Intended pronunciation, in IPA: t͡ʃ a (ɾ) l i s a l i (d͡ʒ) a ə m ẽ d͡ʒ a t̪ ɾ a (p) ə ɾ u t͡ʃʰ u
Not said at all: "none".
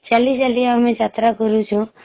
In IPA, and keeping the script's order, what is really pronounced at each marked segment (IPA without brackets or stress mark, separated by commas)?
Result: none, none, k